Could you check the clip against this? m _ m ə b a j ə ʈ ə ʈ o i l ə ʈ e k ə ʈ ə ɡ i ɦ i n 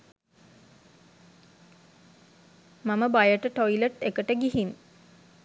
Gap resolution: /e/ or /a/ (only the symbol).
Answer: a